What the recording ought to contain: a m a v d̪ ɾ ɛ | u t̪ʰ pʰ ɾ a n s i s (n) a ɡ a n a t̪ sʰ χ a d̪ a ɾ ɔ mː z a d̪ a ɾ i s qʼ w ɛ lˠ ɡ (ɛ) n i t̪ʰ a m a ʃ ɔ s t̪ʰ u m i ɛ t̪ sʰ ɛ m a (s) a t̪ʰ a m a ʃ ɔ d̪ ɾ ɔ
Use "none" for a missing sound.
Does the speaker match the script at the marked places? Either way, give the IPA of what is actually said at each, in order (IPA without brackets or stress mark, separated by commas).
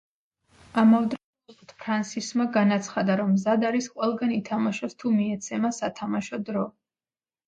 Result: m, a, s